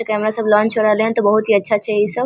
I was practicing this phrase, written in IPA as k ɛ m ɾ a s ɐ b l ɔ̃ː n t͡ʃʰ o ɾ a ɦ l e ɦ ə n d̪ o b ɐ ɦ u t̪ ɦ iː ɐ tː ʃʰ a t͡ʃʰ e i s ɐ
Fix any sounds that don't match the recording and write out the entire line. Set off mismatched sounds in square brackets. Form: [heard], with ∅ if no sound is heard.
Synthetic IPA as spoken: k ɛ m ɾ a s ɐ b l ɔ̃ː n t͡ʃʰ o ɾ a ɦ l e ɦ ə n [t̪] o b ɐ ɦ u t̪ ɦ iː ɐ tː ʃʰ a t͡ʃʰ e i s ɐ